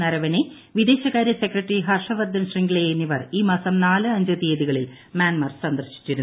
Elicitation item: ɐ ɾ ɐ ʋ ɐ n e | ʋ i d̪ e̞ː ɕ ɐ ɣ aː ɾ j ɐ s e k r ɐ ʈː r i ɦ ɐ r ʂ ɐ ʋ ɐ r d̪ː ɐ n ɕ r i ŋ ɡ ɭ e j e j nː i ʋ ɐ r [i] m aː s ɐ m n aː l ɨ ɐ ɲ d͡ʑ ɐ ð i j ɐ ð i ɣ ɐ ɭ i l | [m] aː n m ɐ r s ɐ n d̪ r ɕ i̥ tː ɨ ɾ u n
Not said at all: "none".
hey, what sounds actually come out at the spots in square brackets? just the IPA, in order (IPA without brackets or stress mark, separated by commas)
iː, m